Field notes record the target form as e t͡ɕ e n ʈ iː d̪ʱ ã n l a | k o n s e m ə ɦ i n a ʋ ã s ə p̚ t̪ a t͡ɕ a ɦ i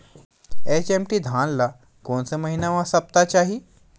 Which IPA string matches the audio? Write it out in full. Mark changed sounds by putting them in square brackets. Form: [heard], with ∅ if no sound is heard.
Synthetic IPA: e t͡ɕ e [m] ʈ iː d̪ʱ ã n l a | k o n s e m ə ɦ i n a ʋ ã s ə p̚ t̪ a t͡ɕ a ɦ i